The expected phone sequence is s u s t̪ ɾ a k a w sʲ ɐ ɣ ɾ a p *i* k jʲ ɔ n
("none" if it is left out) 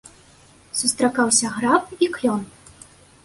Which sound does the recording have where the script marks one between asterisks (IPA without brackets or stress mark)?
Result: i